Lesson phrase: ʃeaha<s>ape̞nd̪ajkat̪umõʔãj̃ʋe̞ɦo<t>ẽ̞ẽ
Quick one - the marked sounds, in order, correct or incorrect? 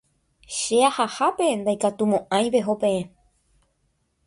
incorrect, incorrect

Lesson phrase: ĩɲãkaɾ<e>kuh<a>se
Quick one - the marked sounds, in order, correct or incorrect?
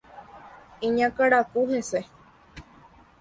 incorrect, incorrect

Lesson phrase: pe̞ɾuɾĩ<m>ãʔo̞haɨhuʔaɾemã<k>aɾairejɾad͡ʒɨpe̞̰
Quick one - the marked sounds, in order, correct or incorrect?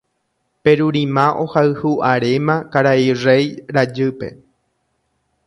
correct, correct

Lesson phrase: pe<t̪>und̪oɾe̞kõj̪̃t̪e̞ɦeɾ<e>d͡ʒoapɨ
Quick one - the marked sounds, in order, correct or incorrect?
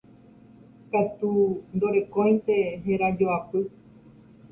correct, incorrect

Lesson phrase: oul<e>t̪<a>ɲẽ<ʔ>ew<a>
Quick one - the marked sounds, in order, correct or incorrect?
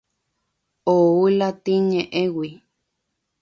incorrect, incorrect, correct, incorrect

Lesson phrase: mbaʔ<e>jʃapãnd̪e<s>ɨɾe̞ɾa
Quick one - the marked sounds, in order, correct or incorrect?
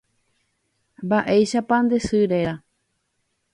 correct, correct

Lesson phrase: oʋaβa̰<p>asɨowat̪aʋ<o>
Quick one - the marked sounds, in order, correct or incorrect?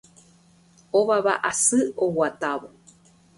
incorrect, correct

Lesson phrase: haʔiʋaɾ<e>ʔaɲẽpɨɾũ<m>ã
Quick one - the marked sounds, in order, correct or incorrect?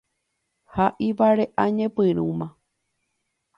correct, correct

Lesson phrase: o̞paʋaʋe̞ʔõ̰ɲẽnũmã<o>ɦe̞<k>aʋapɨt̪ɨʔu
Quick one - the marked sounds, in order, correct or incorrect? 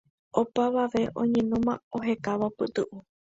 correct, correct

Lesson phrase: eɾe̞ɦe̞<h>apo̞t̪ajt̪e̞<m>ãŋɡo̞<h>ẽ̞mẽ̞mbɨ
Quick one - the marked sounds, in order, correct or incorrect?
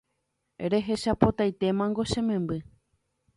incorrect, correct, incorrect

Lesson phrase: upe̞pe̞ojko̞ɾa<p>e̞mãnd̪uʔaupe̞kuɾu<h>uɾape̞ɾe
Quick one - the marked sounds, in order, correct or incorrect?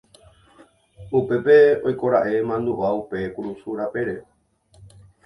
incorrect, incorrect

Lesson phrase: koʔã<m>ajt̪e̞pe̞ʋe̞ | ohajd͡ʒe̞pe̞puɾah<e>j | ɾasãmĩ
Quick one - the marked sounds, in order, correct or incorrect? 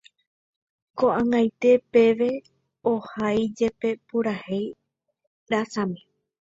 incorrect, correct

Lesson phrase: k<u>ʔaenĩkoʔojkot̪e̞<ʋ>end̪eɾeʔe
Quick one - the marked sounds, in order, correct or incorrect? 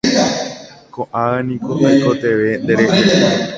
incorrect, correct

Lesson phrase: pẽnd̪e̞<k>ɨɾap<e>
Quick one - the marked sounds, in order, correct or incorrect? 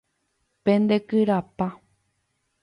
correct, incorrect

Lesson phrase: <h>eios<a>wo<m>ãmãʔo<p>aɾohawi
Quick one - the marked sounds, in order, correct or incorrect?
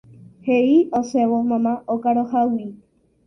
correct, incorrect, correct, incorrect

